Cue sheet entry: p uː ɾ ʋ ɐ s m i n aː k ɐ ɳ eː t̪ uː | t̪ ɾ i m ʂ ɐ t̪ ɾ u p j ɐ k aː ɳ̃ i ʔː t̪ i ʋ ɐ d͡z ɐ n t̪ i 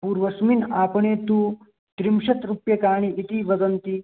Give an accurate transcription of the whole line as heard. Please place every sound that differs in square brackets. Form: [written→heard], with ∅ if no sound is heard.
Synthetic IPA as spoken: p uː ɾ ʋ ɐ s m i n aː [k→p] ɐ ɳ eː t̪ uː | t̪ ɾ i m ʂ ɐ t̪ ɾ u p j ɐ k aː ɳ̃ i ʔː t̪ i ʋ ɐ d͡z ɐ n t̪ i